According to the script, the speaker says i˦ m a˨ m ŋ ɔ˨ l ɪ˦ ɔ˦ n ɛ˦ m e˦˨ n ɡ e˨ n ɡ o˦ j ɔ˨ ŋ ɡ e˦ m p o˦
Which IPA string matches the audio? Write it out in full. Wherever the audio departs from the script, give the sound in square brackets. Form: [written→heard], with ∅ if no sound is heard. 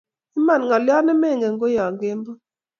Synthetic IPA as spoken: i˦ m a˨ [m→n] ŋ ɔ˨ l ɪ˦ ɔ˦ n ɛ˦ m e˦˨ [n→ŋ] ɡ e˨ [n→ŋ] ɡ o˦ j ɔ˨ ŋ ɡ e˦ m [p→b] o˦

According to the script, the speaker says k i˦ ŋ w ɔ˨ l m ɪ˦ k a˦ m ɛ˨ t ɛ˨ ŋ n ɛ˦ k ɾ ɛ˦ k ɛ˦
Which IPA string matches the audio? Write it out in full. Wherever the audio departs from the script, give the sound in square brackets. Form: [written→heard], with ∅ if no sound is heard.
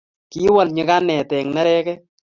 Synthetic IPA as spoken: k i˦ [ŋ→∅] w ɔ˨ l [m→ɲ] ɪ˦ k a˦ [m→n] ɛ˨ t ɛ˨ ŋ n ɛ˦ [k→∅] ɾ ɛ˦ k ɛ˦

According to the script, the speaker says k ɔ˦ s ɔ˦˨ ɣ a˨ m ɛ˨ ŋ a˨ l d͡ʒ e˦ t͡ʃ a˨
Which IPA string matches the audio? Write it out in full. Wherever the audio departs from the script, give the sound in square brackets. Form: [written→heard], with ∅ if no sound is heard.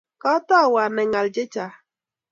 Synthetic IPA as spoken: k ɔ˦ [s→t] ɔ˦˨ [ɣ→w] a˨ [m→n] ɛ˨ ŋ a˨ l d͡ʒ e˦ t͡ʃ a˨

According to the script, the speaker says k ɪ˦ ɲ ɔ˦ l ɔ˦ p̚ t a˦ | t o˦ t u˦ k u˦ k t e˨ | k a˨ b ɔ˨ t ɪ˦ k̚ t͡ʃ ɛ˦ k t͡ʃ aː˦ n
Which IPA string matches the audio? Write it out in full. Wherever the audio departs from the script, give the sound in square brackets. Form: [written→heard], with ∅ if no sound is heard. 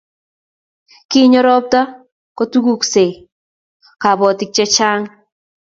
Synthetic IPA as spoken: k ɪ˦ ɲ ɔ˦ [l→ɾ] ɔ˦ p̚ t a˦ | [t→k] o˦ t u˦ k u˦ k [t→s] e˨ | k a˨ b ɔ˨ t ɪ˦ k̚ t͡ʃ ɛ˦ [k→∅] t͡ʃ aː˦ [n→ŋ]

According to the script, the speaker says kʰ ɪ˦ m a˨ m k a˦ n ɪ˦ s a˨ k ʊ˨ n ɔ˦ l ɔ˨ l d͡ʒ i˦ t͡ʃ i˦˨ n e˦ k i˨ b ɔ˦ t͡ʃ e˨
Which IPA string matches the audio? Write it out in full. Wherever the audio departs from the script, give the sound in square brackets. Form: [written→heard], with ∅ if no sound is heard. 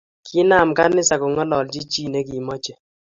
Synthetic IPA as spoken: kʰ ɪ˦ [m→n] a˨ m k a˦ n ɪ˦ s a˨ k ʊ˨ [n→ŋ] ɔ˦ l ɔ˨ l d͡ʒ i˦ t͡ʃ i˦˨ n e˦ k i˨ [b→m] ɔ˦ t͡ʃ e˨

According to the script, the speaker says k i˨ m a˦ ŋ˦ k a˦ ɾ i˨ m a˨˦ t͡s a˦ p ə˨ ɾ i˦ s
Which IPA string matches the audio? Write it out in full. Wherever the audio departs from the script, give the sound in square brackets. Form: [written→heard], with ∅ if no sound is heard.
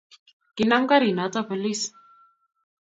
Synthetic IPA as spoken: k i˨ [m→n] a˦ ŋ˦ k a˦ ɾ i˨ [m→n] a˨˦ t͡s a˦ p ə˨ [ɾ→l] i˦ s

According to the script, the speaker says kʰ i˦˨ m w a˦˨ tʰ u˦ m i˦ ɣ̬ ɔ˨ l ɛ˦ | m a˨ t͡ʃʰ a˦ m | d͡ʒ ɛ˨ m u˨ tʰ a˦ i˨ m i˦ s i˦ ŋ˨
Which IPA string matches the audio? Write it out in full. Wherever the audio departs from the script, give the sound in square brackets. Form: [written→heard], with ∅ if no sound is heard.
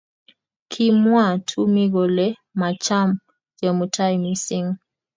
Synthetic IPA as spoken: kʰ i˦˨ m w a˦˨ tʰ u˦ m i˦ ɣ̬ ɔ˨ l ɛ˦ | m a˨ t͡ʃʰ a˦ m | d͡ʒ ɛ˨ m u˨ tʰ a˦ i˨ m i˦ s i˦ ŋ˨

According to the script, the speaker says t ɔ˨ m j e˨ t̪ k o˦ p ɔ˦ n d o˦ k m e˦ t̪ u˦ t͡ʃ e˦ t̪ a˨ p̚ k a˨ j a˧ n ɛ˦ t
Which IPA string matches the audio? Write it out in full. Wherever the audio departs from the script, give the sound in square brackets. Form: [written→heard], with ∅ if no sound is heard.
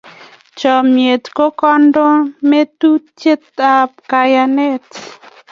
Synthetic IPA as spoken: [t→t͡ʃ] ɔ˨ m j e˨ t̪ k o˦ [p→k] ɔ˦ n d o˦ [k→∅] m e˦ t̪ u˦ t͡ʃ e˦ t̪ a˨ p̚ k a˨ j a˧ n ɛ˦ t

